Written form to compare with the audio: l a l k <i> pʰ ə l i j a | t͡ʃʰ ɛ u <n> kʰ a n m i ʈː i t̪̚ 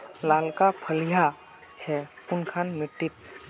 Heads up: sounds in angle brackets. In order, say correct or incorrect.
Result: incorrect: a, correct

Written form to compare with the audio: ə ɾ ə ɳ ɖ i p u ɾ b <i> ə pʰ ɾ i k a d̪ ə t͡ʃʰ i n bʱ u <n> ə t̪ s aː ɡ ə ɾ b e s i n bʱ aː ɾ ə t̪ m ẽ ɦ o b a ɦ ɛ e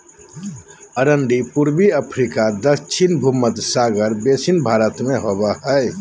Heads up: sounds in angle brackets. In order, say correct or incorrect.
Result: correct, incorrect: m

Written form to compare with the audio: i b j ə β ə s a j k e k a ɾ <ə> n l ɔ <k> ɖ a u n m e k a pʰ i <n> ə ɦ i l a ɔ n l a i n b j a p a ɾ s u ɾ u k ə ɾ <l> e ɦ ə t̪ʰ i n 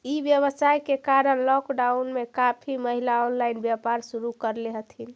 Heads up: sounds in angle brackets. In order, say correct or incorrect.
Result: correct, correct, incorrect: m, correct

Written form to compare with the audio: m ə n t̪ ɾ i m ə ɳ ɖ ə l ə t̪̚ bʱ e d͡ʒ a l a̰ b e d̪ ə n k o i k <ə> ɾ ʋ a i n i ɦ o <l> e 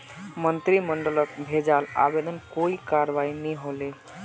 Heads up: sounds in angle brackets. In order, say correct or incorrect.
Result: incorrect: a, correct

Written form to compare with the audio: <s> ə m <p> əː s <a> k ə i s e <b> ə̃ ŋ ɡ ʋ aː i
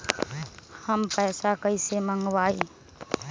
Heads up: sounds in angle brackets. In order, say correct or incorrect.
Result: incorrect: h, correct, correct, incorrect: m

